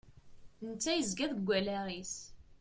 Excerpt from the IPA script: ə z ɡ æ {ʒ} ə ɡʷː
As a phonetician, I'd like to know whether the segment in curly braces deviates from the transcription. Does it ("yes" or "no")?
yes